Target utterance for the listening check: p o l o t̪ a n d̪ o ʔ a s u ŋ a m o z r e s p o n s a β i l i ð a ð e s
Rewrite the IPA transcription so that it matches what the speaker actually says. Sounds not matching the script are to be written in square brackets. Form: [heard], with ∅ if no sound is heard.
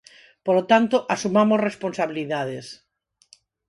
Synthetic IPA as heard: p o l o t̪ a n [t̪] o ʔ a s u [m] a m o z r e s p o n s a β i l i ð a ð e s